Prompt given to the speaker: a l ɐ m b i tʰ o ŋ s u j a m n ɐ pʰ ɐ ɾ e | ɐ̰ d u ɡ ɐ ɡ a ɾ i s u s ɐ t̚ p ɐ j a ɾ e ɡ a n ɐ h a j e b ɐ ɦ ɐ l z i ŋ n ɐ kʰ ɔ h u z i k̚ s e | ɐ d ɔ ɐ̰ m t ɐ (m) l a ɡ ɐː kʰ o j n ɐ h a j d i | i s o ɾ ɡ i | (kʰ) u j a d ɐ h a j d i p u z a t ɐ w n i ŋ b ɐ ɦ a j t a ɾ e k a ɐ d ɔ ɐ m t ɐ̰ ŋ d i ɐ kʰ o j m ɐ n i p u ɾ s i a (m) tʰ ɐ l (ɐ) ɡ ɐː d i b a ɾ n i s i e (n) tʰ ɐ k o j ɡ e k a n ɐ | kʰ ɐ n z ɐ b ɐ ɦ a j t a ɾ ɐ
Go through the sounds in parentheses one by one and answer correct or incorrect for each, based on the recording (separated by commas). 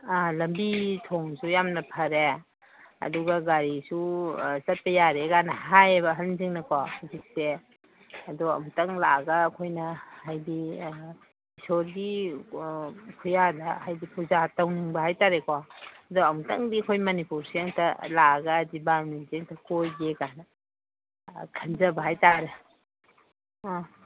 incorrect, correct, incorrect, incorrect, incorrect